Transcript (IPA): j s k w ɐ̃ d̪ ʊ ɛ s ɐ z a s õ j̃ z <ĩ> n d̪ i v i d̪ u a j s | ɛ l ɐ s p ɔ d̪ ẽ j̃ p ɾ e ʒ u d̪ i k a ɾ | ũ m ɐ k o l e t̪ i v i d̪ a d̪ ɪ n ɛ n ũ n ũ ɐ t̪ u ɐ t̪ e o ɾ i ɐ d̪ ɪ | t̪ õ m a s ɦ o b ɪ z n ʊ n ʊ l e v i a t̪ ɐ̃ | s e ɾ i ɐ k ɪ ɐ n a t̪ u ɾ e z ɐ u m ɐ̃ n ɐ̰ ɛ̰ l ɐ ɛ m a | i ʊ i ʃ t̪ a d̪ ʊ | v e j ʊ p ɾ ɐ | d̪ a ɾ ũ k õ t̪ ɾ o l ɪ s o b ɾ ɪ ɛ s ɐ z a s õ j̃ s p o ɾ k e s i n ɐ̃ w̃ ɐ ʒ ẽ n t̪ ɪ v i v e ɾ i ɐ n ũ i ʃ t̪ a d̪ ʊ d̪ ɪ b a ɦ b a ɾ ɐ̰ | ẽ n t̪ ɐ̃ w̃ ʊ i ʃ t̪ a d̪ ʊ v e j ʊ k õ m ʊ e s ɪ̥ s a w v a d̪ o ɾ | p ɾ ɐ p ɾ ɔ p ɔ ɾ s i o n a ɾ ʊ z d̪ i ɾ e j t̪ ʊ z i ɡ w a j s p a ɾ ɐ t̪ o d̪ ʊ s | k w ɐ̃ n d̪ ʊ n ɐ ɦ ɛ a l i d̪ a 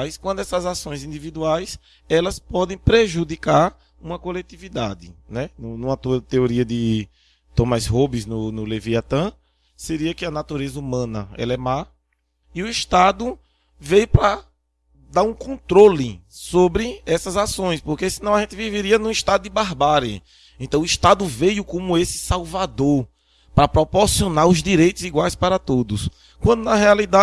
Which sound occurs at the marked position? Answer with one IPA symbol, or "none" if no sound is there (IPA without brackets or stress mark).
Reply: ĩ